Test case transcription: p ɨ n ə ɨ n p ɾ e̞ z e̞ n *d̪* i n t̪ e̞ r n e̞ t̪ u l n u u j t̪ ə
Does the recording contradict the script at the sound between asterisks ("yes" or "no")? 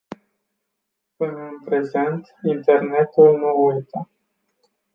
yes